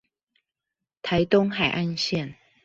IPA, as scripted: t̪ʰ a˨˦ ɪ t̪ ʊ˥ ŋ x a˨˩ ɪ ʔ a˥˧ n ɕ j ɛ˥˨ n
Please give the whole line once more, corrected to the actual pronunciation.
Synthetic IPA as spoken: t̪ʰ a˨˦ ɪ t̪ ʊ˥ ŋ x a˨˩ ɪ ʔ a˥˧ n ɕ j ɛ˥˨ n